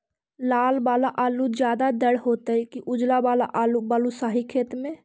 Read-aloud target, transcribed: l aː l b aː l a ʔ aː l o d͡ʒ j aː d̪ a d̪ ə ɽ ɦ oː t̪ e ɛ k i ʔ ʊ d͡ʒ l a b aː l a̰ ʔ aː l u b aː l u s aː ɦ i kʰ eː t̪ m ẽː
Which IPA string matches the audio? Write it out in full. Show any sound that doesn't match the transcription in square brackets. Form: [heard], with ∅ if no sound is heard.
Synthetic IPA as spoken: l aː l b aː l a ʔ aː l [u] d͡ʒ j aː d̪ a d̪ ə ɽ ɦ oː t̪ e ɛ k i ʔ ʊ d͡ʒ l a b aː l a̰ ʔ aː l u b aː l u s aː ɦ i kʰ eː t̪ m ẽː

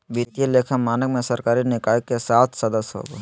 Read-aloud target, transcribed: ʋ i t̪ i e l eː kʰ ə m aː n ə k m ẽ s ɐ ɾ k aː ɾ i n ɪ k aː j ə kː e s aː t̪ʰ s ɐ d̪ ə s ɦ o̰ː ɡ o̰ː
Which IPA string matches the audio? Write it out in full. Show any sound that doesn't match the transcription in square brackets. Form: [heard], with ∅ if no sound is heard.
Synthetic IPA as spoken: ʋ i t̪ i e l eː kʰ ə m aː n ə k m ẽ s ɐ ɾ k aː ɾ i n ɪ k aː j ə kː e s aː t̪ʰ s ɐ d̪ ə s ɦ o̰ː ɡ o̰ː

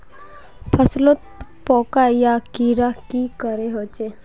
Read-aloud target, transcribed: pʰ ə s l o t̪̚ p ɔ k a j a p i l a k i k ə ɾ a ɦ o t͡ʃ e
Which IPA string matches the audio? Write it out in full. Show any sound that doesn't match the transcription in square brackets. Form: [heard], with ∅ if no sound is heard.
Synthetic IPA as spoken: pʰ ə s l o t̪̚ p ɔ k a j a [k] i [ɾ] a k i k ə ɾ [e] ɦ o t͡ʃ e

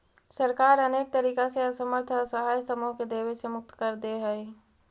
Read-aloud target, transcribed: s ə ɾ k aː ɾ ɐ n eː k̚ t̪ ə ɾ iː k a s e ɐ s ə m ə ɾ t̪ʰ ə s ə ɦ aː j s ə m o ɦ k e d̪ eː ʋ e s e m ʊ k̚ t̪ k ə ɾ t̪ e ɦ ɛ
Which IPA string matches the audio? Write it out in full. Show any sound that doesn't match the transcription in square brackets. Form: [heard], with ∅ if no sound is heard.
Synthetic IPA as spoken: s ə ɾ k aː ɾ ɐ n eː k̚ t̪ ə ɾ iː k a s e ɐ s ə m ə ɾ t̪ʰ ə s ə ɦ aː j s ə m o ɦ k e d̪ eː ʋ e s e m ʊ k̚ t̪ k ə ɾ [d̪] e ɦ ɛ

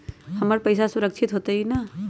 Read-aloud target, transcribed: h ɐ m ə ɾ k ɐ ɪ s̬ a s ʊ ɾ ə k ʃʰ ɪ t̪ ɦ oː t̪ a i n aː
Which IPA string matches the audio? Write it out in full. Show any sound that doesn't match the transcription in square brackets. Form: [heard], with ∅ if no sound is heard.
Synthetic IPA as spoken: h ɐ m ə ɾ [p] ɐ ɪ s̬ a s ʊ ɾ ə k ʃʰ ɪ t̪ ɦ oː t̪ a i n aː

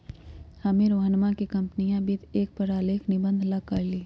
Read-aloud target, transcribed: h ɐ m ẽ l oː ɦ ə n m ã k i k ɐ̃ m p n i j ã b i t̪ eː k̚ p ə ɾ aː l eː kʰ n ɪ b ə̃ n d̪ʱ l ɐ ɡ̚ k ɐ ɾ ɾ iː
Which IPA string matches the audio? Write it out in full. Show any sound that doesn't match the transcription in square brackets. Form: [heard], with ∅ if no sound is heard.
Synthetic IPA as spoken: h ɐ m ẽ [ɾ] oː ɦ ə n m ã k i k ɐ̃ m p n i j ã b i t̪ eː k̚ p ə ɾ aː l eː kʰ n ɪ b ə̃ n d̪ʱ l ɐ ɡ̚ k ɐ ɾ [l] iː

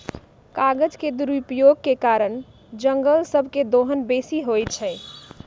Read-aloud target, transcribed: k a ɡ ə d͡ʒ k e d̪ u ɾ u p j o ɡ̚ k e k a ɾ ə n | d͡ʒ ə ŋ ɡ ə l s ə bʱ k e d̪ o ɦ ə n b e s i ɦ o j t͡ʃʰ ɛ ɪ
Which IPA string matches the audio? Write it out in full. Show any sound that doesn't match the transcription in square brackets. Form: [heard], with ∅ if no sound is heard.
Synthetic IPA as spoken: k a ɡ ə d͡ʒ k e d̪ u ɾ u p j o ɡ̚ k e k a ɾ ə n | d͡ʒ ə ŋ ɡ ə l s ə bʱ k e d̪ o ɦ ə n b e s i ɦ o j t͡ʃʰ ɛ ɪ

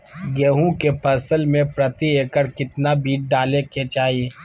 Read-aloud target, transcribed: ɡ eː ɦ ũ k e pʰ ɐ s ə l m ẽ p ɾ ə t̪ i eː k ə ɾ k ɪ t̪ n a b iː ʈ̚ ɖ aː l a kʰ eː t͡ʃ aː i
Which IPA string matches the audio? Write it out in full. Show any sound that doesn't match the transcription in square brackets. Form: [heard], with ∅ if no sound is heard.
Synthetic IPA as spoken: ɡ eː ɦ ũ k e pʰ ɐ s ə l m ẽ p ɾ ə t̪ i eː k ə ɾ k ɪ t̪ n a b iː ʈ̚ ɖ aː l [e] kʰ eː t͡ʃ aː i

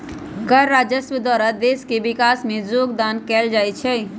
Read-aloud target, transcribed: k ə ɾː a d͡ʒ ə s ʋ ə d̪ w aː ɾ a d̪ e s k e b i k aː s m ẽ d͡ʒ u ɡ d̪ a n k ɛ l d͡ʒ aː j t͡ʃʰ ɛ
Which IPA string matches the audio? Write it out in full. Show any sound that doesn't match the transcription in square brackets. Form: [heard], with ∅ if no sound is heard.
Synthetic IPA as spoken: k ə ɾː a d͡ʒ ə s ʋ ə d̪ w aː ɾ a d̪ e s k e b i k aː s m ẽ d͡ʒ [o] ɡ d̪ a n k ɛ l d͡ʒ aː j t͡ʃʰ ɛ

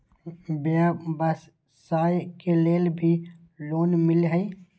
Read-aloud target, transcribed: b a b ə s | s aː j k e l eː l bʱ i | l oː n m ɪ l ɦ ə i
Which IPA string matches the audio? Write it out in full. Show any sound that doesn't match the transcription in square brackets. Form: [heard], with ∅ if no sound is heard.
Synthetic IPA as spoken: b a b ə s | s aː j k e l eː l bʱ i | l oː n m ɪ l ɦ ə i

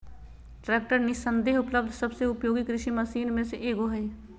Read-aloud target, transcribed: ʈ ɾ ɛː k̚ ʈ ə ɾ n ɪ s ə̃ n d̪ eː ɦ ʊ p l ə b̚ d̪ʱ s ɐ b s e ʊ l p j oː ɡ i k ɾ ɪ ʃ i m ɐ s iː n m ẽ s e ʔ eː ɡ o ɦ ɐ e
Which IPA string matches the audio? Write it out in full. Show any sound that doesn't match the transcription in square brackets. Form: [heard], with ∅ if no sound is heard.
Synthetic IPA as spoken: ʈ ɾ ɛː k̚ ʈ ə ɾ n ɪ s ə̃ n d̪ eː ɦ ʊ p l ə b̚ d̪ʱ s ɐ b s e ʊ [∅] p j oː ɡ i k ɾ ɪ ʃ i m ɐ s iː n m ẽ s e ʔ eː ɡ o ɦ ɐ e

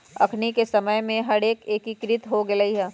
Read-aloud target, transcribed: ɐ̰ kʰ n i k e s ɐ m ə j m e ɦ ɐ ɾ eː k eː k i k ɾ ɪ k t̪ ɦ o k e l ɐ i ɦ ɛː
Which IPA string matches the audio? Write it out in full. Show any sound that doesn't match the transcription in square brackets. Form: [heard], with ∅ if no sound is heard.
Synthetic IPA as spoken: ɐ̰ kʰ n i k e s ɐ m ə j m [ẽ] ɦ ɐ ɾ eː k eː k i k ɾ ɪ [∅] t̪ ɦ o [ɡ] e l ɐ i ɦ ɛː

